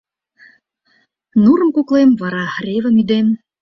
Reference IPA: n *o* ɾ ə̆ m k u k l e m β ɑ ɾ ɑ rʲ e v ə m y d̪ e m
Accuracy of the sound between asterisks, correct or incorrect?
incorrect